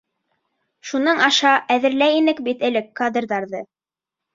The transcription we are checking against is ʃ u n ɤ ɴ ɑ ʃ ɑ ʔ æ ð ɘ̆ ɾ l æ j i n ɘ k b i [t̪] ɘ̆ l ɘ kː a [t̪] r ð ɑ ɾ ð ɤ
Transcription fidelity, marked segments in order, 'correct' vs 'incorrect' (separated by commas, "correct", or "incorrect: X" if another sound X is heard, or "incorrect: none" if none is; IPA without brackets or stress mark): correct, incorrect: d̪